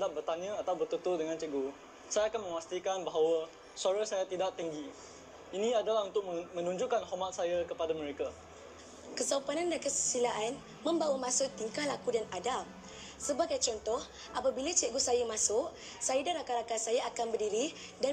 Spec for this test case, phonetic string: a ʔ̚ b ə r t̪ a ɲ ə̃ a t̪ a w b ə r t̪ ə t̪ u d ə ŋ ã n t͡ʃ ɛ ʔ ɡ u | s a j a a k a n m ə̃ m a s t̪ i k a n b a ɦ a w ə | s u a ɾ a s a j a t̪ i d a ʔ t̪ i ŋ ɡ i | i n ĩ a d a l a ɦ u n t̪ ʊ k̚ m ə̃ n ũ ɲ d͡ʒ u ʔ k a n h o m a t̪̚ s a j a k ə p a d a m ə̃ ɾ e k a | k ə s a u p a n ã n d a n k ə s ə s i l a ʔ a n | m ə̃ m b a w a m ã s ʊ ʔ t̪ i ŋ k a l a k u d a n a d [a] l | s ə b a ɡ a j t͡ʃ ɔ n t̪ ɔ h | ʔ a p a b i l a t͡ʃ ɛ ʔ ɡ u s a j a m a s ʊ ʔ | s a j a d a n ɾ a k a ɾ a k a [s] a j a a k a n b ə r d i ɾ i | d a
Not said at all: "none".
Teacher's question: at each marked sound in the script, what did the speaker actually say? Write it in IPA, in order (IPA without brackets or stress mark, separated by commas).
a, s